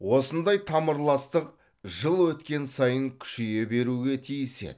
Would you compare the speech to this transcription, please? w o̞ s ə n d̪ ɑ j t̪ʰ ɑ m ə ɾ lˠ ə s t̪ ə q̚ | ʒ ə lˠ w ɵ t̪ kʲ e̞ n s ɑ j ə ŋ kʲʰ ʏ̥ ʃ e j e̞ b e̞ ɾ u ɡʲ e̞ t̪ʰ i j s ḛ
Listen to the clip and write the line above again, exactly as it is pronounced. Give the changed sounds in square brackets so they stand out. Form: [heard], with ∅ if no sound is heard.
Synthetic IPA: w o̞ s ə n d̪ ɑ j t̪ʰ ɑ m ə ɾ lˠ [ɑ] s t̪ ə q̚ | ʒ ə lˠ w ɵ t̪ kʲ e̞ n s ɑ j ə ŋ kʲʰ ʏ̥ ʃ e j e̞ b e̞ ɾ u ɡʲ e̞ t̪ʰ i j s ḛ